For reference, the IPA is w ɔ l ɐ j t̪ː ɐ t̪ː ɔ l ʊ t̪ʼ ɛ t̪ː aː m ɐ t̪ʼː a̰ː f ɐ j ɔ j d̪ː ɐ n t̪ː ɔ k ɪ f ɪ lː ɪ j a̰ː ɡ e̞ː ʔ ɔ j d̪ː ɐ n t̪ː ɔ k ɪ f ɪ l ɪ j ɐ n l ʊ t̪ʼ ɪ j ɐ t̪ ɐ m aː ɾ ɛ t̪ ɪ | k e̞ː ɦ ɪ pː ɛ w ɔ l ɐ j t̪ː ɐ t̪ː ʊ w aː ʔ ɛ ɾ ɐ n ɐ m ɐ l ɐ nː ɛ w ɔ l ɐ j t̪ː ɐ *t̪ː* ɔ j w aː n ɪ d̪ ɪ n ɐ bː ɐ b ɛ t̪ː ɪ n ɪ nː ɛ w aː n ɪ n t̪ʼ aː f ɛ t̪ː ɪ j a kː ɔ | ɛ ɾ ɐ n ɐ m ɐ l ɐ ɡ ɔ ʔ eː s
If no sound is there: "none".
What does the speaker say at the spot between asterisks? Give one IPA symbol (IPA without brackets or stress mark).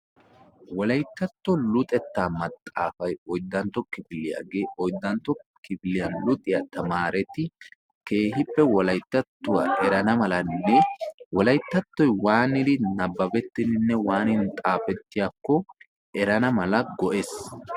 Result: t̪ː